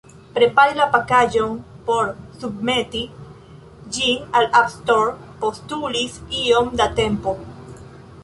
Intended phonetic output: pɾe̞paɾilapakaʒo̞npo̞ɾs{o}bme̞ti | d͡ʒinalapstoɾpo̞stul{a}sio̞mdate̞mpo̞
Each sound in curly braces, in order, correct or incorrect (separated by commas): incorrect, incorrect